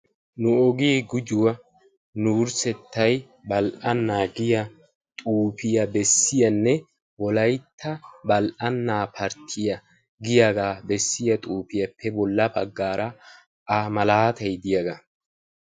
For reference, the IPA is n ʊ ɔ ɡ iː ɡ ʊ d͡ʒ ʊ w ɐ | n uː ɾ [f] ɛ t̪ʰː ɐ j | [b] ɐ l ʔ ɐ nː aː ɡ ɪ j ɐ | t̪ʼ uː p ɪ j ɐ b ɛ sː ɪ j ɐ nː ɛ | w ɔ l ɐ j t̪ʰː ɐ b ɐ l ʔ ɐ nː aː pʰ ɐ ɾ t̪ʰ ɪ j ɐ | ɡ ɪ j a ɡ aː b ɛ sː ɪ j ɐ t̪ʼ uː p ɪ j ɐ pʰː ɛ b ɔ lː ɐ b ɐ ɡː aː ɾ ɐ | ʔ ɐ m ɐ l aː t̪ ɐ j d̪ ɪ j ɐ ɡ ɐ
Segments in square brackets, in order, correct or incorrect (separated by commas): incorrect, correct